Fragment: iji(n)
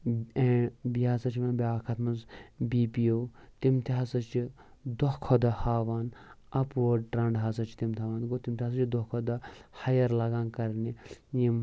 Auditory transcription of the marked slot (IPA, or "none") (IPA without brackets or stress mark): m